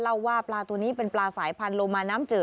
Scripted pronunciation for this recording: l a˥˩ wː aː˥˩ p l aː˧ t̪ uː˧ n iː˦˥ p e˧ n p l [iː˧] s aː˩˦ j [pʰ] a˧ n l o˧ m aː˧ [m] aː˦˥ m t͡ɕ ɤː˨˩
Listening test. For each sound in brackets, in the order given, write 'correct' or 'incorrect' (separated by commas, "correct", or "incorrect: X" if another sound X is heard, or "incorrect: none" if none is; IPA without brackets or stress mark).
incorrect: aː˧, correct, incorrect: n